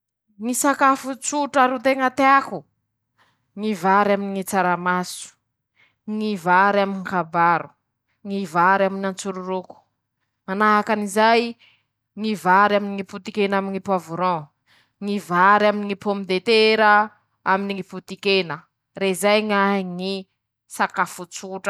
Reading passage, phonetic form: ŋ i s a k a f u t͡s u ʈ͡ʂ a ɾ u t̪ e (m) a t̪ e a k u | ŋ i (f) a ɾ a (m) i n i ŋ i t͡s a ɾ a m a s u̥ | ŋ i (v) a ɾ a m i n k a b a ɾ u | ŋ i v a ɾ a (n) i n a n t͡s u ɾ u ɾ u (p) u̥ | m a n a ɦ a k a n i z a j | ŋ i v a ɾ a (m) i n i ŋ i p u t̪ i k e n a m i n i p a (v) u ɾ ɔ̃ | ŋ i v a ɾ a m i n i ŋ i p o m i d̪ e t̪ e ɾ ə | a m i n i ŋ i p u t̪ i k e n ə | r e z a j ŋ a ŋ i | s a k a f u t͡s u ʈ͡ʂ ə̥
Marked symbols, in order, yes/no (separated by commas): no, no, yes, yes, no, no, yes, yes